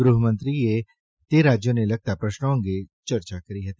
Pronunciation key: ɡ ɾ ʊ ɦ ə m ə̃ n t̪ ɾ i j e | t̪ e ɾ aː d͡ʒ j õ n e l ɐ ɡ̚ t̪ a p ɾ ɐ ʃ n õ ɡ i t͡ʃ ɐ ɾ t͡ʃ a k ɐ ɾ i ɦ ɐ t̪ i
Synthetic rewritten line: ɡ ɾ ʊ ɦ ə m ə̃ n t̪ ɾ i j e | t̪ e ɾ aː d͡ʒ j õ n e l ɐ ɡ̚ t̪ a p ɾ ɐ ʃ n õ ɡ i t͡ʃ ɐ ɾ t͡ʃ a k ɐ ɾ i ɦ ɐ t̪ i